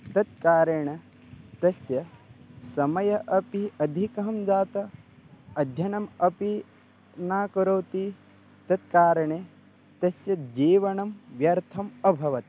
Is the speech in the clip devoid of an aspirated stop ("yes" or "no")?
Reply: no